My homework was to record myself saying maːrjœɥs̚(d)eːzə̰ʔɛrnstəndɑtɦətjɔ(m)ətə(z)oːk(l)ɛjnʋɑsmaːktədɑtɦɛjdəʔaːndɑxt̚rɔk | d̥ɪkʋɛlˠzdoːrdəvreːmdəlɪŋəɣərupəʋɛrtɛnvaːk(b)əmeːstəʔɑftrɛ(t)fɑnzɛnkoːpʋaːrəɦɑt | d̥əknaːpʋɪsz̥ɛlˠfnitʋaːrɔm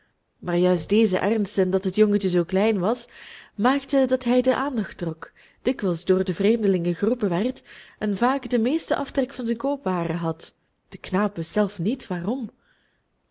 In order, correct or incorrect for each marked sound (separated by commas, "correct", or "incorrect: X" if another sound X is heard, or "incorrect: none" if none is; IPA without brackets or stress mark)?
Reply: correct, incorrect: ŋ, correct, correct, incorrect: d, incorrect: k